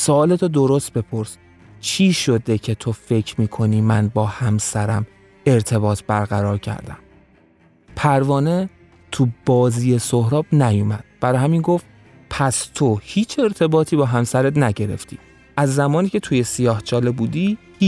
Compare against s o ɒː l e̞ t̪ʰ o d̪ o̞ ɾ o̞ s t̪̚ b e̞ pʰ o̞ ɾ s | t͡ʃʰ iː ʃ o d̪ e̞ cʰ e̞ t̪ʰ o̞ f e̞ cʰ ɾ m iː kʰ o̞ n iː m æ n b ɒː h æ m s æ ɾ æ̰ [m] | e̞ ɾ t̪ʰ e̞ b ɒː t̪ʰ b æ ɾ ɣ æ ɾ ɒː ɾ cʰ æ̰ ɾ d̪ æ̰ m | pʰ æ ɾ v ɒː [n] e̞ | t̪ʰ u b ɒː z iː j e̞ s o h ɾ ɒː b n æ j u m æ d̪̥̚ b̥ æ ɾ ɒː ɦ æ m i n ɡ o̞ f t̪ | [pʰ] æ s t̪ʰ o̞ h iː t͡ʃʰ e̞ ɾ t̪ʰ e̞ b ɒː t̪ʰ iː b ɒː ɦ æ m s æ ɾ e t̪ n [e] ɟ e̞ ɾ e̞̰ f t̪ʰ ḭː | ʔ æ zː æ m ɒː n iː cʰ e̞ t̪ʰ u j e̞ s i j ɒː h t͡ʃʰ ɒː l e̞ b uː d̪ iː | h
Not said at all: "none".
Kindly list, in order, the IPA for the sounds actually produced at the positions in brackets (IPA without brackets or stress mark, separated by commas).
m, n, pʰ, æ